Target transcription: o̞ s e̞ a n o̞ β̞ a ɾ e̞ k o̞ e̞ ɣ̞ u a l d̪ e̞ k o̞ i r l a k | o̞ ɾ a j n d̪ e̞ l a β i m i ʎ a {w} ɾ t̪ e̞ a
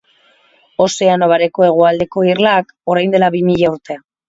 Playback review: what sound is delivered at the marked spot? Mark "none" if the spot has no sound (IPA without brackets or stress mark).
u